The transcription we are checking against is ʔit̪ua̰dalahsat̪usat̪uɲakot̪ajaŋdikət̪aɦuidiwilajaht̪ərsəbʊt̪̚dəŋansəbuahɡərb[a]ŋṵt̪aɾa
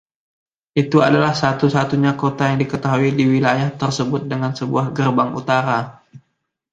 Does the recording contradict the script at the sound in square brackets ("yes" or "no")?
no